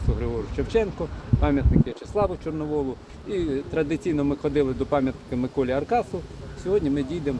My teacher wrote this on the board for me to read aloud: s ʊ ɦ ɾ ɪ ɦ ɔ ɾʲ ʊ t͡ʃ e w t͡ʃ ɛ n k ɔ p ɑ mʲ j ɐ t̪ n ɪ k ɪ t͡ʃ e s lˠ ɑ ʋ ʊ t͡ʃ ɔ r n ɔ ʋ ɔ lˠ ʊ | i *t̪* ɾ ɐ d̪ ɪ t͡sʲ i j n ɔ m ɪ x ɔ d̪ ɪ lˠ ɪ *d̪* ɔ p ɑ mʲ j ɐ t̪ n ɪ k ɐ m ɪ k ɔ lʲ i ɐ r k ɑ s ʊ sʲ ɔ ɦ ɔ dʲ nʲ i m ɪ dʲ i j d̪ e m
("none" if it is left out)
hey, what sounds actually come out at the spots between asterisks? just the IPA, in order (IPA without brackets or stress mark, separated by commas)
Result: t̪, d̪